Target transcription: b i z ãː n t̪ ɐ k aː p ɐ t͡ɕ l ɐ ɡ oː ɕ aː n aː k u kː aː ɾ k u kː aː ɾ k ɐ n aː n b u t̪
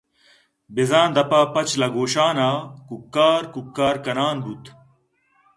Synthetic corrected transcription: b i z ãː n d̪ ɐ p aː p ɐ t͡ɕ l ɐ ɡ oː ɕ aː n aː k u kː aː ɾ k u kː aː ɾ k ɐ n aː n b u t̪